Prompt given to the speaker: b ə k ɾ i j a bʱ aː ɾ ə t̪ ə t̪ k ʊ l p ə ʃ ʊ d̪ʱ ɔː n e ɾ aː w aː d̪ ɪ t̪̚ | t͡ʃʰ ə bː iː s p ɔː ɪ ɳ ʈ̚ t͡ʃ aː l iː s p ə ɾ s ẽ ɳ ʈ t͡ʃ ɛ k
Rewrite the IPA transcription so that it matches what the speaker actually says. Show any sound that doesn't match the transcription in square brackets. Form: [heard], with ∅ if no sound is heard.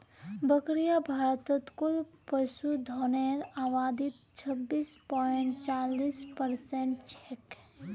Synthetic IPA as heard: b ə k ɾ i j a bʱ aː ɾ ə t̪ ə t̪ k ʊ l p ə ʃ [u] d̪ʱ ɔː n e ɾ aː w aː d̪ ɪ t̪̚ | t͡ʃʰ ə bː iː s p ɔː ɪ ɳ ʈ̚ t͡ʃ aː l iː s p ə ɾ s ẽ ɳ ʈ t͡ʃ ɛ k